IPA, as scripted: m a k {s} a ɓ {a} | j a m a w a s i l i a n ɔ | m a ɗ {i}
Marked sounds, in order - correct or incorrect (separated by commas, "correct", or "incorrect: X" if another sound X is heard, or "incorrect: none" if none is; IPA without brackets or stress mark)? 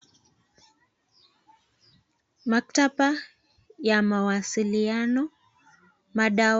incorrect: t, correct, incorrect: a